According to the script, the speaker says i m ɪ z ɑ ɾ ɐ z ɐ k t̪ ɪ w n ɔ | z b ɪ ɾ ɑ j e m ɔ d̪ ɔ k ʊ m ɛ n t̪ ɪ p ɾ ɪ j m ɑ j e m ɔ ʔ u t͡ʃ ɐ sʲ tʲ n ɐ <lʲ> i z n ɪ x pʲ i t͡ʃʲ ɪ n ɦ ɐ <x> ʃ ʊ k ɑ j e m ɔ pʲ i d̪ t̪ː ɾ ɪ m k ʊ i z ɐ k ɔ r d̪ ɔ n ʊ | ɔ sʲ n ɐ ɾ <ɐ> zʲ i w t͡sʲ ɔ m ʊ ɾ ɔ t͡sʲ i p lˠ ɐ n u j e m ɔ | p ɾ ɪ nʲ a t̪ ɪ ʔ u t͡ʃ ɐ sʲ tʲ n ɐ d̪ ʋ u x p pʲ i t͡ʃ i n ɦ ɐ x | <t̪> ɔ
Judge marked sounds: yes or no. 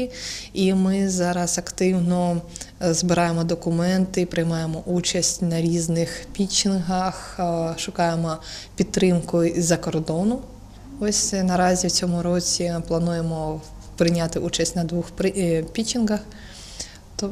no, yes, no, yes

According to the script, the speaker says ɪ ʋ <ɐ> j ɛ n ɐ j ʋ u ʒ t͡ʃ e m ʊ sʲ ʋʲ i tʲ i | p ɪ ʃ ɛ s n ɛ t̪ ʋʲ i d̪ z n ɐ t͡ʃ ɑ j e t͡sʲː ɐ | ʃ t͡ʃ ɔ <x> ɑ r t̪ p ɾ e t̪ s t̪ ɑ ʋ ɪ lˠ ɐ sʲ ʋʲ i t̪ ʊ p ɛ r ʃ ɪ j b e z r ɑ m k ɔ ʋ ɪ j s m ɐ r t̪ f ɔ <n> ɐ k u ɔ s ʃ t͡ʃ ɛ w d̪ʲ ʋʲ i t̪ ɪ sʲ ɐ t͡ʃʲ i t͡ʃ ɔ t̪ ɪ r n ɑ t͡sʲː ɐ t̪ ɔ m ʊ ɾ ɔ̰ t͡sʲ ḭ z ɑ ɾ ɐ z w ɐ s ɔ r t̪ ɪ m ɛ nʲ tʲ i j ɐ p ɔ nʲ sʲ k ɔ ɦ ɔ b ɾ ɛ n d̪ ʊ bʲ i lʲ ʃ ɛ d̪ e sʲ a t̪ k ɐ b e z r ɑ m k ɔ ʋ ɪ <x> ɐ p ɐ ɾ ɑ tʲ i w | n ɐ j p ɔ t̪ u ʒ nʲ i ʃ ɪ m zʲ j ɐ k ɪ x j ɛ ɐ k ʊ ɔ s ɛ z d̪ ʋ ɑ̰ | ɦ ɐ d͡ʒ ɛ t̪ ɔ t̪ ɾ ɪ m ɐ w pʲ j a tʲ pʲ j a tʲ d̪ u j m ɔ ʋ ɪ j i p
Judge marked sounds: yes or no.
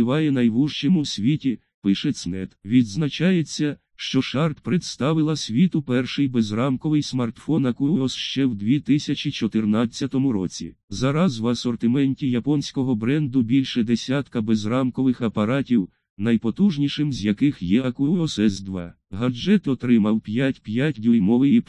no, no, yes, yes

